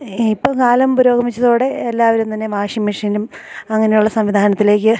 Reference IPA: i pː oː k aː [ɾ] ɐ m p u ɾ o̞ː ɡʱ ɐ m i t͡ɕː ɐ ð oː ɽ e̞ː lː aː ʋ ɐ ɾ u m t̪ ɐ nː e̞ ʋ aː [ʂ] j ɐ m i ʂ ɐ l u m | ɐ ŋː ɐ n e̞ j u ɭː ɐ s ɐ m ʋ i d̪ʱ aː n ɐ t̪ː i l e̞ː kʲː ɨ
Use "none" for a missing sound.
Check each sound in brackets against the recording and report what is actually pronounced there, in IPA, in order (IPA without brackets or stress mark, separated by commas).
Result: l, ʂ